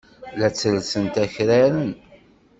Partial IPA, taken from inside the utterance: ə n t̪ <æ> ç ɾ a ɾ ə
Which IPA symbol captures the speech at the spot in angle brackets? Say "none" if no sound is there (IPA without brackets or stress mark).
æ